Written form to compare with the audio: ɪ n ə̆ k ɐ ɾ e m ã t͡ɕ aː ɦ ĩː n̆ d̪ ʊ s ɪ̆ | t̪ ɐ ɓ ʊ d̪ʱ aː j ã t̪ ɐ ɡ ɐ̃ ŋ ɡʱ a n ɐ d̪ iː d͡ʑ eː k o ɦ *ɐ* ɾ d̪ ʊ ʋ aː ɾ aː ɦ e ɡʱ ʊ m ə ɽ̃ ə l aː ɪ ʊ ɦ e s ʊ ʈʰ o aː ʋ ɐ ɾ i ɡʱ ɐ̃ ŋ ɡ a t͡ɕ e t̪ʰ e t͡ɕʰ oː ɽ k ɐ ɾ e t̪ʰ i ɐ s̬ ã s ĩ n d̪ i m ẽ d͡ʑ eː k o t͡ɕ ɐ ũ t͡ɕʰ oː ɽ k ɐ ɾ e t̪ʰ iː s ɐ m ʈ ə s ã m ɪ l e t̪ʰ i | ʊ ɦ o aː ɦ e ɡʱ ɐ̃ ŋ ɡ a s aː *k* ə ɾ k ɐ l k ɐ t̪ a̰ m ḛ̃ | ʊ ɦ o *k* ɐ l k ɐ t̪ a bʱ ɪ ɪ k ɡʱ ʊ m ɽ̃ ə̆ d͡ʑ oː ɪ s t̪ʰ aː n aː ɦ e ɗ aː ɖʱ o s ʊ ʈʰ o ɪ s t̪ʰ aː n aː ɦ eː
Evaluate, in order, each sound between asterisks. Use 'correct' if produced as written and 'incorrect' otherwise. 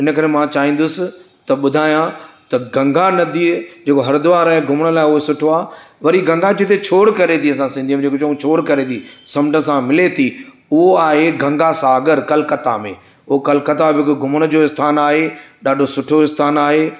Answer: correct, incorrect, correct

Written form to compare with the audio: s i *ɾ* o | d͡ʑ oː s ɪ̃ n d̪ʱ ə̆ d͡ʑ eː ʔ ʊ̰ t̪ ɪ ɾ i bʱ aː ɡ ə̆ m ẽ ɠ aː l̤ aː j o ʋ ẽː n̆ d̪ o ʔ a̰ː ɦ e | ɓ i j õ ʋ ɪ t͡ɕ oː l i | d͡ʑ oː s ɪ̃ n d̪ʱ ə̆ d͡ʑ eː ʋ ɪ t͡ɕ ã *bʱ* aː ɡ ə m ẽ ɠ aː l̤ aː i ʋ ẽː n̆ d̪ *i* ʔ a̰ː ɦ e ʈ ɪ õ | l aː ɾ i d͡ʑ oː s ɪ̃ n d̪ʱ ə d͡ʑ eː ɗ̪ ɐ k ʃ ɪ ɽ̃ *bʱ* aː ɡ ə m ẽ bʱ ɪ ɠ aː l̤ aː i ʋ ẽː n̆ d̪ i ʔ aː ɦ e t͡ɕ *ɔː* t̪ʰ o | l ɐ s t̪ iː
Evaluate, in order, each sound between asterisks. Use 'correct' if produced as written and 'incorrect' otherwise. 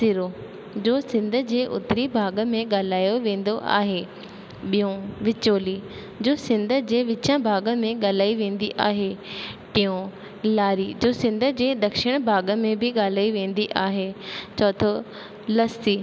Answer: correct, correct, correct, correct, correct

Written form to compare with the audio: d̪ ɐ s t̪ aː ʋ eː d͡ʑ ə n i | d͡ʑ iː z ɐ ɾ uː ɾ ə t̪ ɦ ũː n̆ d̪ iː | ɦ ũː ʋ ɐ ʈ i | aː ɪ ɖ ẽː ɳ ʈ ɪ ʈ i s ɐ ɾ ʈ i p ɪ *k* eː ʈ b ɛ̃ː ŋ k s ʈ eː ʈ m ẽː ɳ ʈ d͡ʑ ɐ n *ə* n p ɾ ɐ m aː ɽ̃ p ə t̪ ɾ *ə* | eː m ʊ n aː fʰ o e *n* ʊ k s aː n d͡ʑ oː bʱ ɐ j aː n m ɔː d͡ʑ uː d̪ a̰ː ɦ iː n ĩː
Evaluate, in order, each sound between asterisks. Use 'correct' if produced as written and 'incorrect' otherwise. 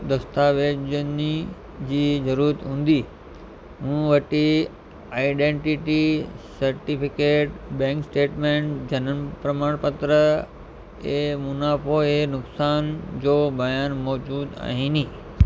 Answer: correct, correct, correct, correct

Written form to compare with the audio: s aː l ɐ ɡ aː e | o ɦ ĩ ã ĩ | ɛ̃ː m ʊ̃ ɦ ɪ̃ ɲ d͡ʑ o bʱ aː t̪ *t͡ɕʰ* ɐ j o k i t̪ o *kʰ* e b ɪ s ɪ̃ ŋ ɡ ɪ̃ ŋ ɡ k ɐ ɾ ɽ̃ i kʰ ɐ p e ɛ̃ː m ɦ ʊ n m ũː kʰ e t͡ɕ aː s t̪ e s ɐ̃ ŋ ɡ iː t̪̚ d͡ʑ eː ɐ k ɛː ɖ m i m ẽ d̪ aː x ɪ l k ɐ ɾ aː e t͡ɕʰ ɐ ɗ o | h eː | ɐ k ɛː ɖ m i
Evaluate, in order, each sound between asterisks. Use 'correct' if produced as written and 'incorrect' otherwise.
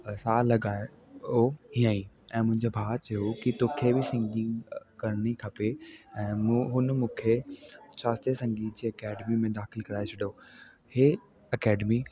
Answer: incorrect, correct

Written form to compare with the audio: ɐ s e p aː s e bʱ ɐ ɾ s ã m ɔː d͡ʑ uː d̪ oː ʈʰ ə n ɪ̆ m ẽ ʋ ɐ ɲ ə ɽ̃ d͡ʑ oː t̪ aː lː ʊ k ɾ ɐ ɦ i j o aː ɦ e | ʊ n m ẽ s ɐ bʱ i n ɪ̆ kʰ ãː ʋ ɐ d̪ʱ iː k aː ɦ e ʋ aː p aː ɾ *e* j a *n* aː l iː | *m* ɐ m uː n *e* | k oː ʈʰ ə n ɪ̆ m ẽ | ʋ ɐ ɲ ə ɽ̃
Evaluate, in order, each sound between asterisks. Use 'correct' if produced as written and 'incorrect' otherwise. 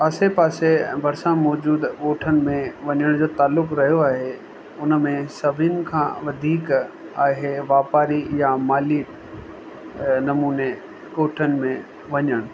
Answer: incorrect, incorrect, incorrect, correct

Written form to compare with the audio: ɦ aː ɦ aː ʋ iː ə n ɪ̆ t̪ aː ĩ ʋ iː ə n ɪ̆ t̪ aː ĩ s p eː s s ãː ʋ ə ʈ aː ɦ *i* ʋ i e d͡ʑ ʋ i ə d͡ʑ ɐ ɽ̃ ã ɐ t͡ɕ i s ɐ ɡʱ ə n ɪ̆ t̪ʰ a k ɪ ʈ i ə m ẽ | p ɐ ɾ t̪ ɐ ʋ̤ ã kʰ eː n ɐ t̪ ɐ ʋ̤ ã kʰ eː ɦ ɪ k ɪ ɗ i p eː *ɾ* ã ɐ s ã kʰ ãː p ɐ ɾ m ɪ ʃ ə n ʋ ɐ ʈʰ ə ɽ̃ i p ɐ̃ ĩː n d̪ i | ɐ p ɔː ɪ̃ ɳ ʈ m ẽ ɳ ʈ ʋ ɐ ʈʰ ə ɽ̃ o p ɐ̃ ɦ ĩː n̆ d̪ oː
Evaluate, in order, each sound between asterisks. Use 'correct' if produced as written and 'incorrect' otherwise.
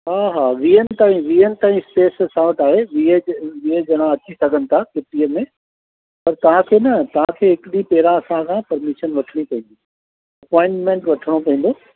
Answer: incorrect, correct

